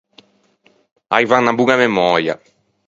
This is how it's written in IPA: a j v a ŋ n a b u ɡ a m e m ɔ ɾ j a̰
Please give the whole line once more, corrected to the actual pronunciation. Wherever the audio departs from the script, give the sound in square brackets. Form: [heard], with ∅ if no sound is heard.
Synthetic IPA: a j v a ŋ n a b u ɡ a m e m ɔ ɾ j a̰